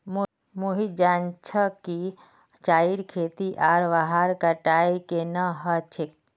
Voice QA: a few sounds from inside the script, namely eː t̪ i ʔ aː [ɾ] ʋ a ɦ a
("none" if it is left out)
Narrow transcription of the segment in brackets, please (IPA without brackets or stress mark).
ɾ